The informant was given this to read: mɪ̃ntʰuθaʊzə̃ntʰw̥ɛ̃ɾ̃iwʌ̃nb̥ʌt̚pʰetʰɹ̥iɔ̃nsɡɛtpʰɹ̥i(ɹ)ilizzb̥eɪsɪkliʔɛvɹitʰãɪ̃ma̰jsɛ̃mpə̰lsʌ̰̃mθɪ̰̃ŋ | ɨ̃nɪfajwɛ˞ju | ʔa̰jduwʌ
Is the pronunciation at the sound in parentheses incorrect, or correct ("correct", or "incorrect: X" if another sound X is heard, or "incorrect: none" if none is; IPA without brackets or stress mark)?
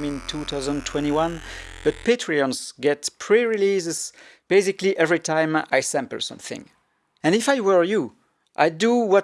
correct